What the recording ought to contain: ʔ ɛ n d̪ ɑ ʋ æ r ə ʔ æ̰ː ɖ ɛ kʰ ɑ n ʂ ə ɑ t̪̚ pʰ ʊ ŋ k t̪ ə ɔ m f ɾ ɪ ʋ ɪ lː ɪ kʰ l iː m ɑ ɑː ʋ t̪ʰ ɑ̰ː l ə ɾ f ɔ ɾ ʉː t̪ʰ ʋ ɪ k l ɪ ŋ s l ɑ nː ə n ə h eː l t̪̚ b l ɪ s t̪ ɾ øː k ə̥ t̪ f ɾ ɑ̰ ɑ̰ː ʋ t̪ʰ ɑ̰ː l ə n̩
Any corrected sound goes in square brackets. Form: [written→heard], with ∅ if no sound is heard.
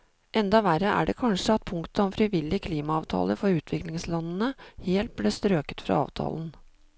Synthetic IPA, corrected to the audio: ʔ ɛ n d̪ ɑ ʋ æ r ə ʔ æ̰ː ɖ ɛ kʰ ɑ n ʂ ə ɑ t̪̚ pʰ ʊ ŋ k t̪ ə ɔ m f ɾ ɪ ʋ ɪ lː ɪ kʰ l iː m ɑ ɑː ʋ t̪ʰ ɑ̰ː l ə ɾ f ɔ ɾ ʉː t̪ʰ ʋ ɪ k l ɪ ŋ s l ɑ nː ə n ə h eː l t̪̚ b l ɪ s t̪ ɾ øː k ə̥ t̪ f ɾ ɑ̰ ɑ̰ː ʋ t̪ʰ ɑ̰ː l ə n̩